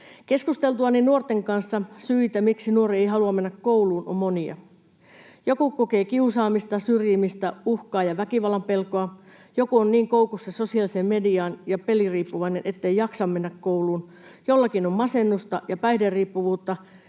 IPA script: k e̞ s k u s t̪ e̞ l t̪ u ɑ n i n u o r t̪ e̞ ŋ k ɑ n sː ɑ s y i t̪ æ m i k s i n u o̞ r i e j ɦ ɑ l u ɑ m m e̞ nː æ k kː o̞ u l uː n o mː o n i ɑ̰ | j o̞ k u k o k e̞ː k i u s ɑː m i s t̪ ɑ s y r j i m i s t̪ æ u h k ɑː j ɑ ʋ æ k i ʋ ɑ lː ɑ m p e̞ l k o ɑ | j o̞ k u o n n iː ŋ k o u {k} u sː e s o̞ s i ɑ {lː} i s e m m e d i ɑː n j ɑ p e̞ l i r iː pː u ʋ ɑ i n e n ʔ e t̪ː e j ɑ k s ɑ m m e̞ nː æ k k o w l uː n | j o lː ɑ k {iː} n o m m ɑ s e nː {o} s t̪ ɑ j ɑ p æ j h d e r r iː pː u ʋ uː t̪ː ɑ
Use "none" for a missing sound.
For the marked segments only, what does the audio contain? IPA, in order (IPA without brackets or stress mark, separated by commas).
k, l, i, u